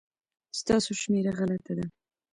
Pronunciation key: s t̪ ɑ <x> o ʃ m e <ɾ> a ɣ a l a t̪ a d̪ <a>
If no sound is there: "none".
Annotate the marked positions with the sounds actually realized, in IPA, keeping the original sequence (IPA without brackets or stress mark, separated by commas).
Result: s, ɾ, a